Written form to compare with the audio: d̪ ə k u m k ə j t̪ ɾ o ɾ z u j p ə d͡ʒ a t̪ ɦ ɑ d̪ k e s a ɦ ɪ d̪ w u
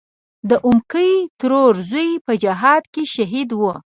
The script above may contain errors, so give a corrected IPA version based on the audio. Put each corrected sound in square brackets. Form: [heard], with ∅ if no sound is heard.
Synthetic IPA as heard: d̪ ə [ʔ] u m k ə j t̪ ɾ o ɾ z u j p ə d͡ʒ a [∅] ɦ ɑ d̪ k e [ʃ] a ɦ [i] d̪ w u